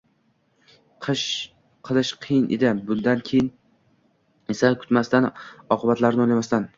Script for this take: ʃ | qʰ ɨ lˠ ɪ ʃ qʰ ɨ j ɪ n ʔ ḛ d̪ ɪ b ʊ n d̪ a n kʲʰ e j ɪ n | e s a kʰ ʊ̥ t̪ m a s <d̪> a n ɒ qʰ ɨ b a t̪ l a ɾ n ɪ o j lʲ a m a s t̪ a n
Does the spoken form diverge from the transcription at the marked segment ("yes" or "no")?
yes